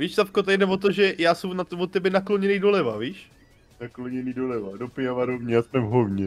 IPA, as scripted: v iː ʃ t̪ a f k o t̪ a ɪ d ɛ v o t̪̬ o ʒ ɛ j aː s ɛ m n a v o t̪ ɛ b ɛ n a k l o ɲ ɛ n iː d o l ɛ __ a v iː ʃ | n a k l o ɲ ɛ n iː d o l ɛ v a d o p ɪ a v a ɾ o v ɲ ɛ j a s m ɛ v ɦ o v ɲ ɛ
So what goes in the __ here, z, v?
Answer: v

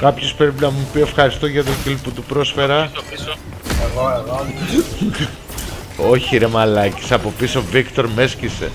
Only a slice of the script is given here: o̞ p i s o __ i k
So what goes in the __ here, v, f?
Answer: v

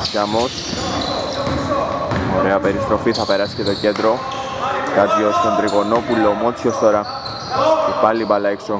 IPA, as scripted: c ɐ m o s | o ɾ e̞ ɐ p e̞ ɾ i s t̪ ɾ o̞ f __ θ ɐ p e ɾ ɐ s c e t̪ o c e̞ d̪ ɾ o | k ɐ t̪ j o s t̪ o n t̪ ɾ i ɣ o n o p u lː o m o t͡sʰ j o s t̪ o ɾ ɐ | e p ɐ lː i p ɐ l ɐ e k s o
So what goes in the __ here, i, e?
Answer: i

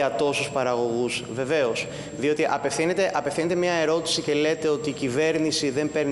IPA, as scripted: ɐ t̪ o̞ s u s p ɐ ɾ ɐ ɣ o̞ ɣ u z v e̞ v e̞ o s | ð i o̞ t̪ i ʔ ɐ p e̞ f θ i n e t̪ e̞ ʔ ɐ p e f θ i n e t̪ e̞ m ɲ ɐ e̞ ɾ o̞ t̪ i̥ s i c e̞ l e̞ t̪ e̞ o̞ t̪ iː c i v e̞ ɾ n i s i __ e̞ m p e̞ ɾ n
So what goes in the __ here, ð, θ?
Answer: ð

